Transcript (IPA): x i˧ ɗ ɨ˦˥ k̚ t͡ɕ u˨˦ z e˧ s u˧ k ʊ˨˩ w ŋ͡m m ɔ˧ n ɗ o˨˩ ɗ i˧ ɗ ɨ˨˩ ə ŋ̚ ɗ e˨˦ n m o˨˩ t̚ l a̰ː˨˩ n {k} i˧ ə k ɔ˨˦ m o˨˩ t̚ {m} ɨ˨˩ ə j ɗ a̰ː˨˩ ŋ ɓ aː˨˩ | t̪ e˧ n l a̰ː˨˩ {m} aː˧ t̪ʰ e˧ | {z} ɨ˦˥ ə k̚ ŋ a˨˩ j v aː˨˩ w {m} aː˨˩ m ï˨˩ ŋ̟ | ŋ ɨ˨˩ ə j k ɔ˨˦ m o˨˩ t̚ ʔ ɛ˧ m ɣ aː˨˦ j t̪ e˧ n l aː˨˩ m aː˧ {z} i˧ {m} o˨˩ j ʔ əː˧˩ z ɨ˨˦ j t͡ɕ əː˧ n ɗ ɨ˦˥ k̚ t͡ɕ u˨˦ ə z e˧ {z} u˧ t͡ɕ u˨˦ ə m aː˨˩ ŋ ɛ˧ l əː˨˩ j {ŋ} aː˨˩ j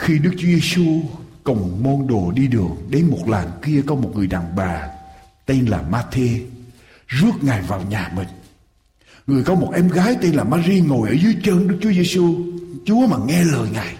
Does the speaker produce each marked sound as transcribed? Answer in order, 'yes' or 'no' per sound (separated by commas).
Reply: yes, no, yes, yes, no, yes, no, no, yes